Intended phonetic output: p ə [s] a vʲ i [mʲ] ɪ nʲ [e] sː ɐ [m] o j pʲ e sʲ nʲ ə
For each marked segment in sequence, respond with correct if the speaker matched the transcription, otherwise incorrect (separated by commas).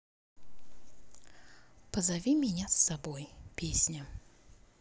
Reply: incorrect, correct, incorrect, incorrect